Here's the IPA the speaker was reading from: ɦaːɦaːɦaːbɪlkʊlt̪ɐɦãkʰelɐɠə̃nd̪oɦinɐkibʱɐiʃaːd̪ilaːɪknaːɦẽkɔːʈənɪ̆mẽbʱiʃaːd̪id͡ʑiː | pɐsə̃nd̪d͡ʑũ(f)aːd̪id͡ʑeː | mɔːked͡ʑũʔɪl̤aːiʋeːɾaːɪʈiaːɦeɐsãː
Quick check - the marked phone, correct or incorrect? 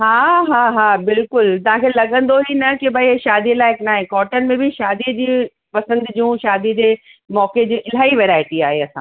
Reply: incorrect